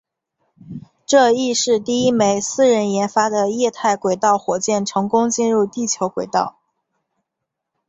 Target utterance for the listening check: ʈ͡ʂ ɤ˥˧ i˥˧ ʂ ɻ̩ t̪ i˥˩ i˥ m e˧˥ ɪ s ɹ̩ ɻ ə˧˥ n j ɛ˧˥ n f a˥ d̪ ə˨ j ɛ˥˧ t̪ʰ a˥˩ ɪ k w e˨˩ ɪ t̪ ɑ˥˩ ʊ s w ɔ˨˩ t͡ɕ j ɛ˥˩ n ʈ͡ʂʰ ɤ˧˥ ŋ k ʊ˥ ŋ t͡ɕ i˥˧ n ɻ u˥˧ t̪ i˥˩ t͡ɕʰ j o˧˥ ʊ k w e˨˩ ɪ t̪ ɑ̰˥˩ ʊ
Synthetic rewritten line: ʈ͡ʂ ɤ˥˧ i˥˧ ʂ ɻ̩ t̪ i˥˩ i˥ m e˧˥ ɪ s ɹ̩ ɻ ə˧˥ n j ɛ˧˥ n f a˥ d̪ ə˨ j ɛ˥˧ t̪ʰ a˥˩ ɪ k w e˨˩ ɪ t̪ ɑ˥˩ ʊ x w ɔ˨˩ t͡ɕ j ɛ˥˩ n ʈ͡ʂʰ ɤ˧˥ ŋ k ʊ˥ ŋ t͡ɕ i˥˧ n ɻ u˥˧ t̪ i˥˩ t͡ɕʰ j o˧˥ ʊ k w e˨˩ ɪ t̪ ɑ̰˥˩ ʊ